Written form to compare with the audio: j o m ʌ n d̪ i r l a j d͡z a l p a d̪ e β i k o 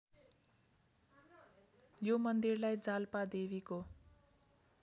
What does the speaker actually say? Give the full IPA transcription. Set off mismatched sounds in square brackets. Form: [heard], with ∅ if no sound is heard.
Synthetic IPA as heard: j o m ʌ n d̪ i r l a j d͡z a l p a d̪ e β i k o